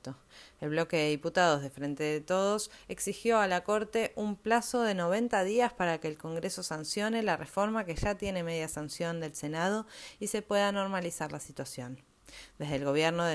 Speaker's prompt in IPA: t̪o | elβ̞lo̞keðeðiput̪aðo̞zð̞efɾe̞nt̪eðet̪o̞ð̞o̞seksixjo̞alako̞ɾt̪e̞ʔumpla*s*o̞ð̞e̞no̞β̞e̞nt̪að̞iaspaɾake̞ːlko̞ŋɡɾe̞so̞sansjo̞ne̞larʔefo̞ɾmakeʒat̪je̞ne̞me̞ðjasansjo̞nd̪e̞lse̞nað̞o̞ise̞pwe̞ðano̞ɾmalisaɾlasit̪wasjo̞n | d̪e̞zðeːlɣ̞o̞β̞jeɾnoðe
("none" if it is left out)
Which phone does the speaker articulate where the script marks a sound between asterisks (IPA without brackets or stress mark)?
s